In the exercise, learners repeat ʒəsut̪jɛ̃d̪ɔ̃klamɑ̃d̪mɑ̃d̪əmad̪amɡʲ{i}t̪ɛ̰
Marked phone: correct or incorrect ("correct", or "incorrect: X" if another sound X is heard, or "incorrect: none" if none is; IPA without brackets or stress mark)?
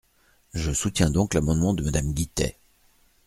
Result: correct